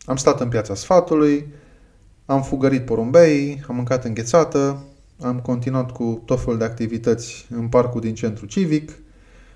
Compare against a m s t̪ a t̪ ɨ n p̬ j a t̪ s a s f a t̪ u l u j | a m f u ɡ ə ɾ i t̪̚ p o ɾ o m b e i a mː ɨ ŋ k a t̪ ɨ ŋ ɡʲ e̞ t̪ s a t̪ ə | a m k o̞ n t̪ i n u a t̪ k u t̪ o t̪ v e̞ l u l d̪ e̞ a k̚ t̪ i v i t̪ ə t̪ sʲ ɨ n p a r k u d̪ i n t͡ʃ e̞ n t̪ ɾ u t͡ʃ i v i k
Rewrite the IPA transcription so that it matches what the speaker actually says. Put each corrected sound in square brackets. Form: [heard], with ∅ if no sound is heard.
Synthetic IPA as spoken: a m s t̪ a t̪ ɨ n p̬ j a t̪ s a s f a t̪ u l u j | a m f u ɡ ə ɾ i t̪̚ p o ɾ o m b e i a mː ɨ ŋ k a t̪ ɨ ŋ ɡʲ e̞ t̪ s a t̪ ə | a m k o̞ n t̪ i n u a t̪ k u t̪ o t̪ [f] e̞ l u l d̪ e̞ a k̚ t̪ i v i t̪ ə t̪ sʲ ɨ n p a r k u d̪ i n t͡ʃ e̞ n t̪ ɾ u t͡ʃ i v i k